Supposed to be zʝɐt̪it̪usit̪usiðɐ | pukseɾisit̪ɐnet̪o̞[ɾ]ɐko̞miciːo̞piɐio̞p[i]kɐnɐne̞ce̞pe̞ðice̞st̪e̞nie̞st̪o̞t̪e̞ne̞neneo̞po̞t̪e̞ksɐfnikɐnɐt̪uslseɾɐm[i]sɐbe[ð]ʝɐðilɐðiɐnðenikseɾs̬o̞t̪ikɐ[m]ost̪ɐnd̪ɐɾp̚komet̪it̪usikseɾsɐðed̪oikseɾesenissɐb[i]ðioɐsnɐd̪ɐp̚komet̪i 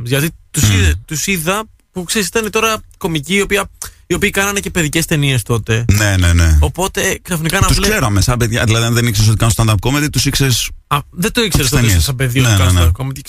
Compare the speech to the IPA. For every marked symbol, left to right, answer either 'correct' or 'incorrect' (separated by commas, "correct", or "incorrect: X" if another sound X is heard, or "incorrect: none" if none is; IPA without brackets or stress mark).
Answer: correct, incorrect: iː, incorrect: e, correct, incorrect: n, incorrect: e